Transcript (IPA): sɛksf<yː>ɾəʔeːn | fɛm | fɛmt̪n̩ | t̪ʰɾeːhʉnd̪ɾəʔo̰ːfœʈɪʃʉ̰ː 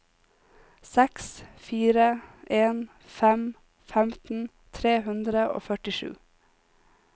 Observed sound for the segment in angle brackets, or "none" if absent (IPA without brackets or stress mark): iː